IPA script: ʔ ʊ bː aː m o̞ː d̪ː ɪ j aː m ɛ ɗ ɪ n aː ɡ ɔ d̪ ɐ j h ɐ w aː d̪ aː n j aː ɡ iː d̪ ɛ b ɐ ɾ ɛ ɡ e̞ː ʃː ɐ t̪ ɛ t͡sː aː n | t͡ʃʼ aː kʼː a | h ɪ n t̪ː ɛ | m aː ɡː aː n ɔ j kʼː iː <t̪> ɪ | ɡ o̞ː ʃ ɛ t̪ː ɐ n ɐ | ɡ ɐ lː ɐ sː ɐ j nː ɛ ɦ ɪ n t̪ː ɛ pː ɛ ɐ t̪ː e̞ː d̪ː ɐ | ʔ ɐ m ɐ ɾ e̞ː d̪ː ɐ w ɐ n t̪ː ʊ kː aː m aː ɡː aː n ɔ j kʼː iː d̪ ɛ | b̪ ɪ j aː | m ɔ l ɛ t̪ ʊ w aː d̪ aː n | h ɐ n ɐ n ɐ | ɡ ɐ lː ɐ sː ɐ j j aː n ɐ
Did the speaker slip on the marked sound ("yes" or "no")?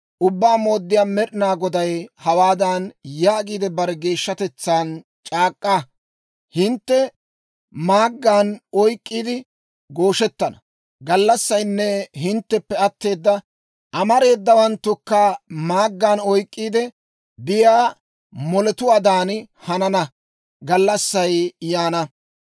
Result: yes